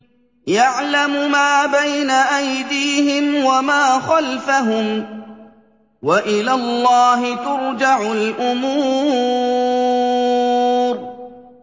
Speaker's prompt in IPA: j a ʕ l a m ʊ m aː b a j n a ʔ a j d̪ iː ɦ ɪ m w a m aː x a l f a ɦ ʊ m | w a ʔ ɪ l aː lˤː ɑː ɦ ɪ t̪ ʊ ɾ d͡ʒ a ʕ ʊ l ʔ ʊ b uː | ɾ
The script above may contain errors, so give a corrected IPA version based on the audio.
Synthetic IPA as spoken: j a ʕ l a m ʊ m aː b a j n a ʔ a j d̪ iː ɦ ɪ m w a m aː x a l f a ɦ ʊ m | w a ʔ ɪ l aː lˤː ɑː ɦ ɪ t̪ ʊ ɾ d͡ʒ a ʕ ʊ l ʔ ʊ m uː | ɾ